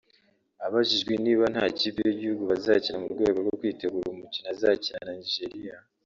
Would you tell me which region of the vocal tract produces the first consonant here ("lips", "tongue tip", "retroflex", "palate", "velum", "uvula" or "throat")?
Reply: lips